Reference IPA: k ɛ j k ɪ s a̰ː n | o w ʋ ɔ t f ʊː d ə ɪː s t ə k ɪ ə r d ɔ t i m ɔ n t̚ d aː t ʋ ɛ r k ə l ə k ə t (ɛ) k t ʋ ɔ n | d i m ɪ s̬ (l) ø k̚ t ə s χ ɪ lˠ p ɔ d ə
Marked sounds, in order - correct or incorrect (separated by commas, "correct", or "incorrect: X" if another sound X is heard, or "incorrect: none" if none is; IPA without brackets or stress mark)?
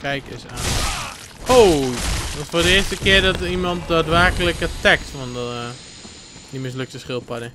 correct, correct